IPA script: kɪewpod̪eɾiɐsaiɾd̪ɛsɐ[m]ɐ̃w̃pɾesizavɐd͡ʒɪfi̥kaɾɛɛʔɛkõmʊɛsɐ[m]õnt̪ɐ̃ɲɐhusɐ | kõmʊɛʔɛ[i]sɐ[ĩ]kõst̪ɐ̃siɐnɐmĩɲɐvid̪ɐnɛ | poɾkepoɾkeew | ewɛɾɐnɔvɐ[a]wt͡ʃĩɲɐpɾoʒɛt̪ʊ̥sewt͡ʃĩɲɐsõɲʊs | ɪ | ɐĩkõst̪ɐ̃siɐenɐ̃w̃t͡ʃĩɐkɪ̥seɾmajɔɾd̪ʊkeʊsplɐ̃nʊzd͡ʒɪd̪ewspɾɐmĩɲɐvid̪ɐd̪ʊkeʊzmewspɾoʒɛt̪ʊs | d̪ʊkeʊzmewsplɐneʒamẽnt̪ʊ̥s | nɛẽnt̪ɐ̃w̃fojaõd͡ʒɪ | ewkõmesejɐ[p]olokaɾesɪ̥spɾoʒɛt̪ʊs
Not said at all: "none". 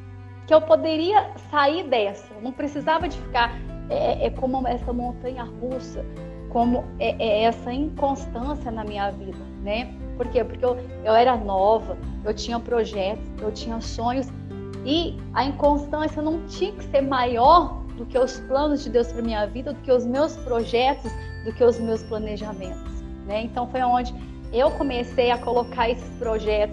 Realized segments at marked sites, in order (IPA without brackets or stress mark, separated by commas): n, m, ɛ, ĩ, e, k